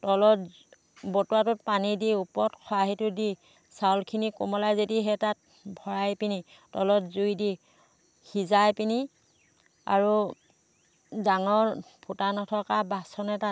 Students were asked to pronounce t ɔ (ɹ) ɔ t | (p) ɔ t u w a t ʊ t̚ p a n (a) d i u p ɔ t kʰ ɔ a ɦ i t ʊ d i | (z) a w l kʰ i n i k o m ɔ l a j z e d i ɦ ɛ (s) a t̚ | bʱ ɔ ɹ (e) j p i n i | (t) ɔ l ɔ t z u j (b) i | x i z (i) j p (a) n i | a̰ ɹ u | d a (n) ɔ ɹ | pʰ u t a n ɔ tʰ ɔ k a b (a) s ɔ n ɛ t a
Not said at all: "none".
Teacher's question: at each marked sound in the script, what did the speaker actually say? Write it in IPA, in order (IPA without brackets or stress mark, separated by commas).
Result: l, b, i, s, t, a, t, d, a, i, ŋ, a